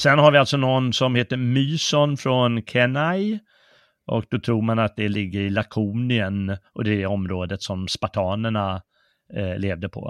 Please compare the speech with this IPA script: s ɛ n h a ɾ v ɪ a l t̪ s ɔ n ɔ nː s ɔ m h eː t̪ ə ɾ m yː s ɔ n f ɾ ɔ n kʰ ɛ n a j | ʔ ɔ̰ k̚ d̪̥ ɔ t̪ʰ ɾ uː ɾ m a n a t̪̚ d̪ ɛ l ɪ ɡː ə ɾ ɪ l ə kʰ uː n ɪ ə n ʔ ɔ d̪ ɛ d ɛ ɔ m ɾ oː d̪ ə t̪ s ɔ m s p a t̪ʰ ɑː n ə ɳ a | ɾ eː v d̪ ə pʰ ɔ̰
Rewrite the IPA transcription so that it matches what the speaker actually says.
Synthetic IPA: s ɛ n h a ɾ v ɪ a l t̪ s ɔ n ɔ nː s ɔ m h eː t̪ ə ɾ m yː s ɔ n f ɾ ɔ n kʰ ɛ n a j | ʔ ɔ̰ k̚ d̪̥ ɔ t̪ʰ ɾ uː ɾ m a n a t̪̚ d̪ ɛ l ɪ ɡː ə ɾ ɪ l a kʰ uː n ɪ ə n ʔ ɔ d̪ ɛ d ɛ ɔ m ɾ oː d̪ ə t̪ s ɔ m s p a t̪ʰ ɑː n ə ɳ a | l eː v d̪ ə pʰ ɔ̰